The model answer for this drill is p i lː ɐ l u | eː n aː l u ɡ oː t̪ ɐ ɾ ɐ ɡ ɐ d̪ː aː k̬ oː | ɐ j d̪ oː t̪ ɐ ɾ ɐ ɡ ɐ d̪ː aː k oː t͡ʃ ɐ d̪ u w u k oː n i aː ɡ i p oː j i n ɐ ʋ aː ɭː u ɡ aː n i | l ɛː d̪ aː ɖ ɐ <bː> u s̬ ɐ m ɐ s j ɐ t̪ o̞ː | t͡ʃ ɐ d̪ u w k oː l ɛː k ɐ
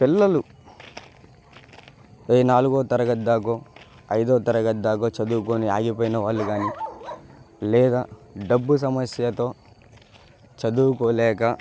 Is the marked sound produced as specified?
yes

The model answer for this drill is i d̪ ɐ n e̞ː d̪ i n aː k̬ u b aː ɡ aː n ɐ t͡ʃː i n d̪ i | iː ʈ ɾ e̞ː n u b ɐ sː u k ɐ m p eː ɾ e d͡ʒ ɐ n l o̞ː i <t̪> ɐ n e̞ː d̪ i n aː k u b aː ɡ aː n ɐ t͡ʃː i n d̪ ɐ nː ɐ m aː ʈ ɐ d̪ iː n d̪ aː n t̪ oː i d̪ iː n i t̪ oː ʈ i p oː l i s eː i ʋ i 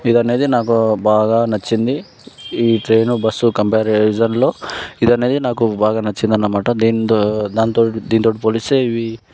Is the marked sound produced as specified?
no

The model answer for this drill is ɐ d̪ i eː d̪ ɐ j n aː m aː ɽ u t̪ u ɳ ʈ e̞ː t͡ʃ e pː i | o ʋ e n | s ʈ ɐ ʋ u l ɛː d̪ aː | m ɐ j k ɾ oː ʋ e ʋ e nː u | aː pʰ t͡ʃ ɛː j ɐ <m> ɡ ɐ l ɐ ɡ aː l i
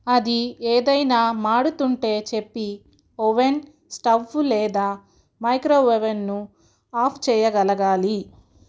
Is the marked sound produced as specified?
no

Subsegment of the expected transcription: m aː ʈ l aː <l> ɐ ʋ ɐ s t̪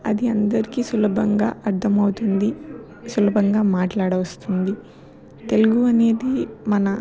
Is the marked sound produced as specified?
no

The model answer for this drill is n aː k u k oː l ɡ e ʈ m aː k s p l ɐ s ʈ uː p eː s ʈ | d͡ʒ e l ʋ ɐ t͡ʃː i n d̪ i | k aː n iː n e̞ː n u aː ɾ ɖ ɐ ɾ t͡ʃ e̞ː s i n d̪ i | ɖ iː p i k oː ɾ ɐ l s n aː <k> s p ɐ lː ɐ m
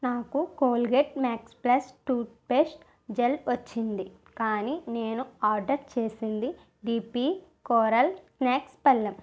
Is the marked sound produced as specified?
yes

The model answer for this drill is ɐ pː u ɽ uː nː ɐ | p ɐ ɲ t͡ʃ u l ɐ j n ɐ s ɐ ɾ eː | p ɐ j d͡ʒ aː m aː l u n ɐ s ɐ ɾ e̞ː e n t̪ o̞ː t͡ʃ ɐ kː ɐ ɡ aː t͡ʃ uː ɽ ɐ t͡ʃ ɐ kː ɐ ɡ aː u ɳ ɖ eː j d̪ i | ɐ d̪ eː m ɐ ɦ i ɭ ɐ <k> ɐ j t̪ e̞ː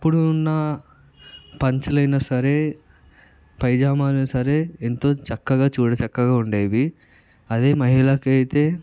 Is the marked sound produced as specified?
yes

